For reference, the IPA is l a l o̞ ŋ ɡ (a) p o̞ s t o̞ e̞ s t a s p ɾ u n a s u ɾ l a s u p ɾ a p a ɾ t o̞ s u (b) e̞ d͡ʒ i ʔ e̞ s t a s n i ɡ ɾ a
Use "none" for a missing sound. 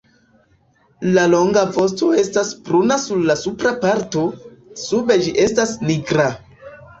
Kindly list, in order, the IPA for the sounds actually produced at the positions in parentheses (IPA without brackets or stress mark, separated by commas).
a, b